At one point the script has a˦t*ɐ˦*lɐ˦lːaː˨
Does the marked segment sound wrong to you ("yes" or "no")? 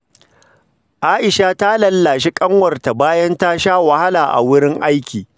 yes